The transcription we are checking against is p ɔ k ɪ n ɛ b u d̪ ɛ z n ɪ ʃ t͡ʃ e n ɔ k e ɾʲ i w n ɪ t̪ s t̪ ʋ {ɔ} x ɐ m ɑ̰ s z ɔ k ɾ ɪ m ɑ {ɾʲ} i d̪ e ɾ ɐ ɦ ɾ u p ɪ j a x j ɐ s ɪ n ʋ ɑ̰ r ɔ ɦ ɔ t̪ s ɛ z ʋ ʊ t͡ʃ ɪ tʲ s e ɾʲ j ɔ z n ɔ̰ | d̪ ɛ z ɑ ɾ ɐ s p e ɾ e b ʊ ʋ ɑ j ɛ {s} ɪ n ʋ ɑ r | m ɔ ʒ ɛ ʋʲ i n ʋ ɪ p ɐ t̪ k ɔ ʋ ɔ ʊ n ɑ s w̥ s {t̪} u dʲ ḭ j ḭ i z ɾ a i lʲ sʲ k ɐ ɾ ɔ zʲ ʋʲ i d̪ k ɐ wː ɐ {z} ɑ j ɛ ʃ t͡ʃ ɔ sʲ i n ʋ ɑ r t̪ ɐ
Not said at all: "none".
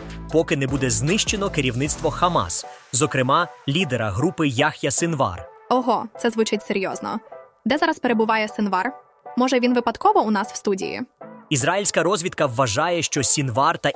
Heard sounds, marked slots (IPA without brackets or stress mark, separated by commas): ɔ, lʲ, s, t̪, ʒ